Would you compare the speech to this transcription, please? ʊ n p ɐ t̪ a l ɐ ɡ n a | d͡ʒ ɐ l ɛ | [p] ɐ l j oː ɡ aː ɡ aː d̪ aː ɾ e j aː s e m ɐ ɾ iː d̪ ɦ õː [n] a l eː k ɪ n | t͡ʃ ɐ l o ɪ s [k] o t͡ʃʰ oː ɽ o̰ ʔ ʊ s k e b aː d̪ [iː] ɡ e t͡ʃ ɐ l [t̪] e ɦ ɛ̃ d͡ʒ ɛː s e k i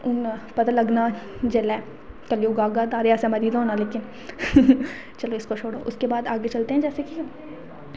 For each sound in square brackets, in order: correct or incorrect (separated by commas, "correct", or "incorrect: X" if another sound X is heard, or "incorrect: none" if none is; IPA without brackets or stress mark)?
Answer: incorrect: k, correct, correct, incorrect: aː, correct